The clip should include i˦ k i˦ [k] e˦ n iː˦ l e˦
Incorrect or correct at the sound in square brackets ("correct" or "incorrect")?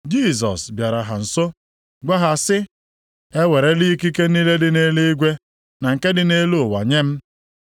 correct